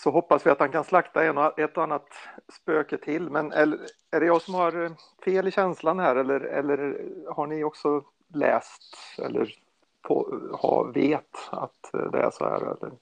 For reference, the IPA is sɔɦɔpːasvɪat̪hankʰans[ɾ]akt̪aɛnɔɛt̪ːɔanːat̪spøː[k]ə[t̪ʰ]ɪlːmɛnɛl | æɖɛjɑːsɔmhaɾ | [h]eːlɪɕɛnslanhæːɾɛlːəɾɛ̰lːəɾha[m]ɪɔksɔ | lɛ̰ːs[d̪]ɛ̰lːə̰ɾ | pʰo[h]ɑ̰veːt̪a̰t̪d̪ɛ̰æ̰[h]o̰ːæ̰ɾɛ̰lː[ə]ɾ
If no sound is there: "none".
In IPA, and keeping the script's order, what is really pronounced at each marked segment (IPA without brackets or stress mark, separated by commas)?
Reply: l, k, t̪ʰ, f, ɳ, t̪, h, ʂ, ə